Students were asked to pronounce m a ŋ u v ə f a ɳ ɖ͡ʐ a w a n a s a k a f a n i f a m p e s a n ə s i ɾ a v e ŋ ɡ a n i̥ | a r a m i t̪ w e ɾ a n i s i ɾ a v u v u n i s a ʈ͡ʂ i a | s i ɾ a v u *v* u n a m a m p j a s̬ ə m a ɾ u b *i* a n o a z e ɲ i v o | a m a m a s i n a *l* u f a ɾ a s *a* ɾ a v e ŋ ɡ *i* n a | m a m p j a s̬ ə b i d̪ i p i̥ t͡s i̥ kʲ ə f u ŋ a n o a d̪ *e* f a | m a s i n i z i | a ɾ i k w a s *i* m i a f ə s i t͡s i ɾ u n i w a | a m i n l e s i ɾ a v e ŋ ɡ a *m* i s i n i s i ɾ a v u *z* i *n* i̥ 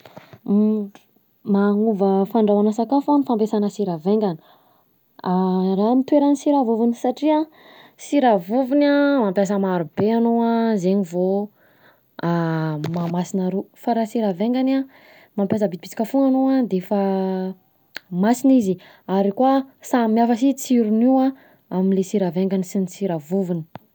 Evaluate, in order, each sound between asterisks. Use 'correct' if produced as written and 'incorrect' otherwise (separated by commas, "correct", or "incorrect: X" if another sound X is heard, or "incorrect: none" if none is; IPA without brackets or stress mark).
correct, incorrect: e, incorrect: ɾ, incorrect: i, incorrect: a, correct, incorrect: a, incorrect: n, incorrect: v, correct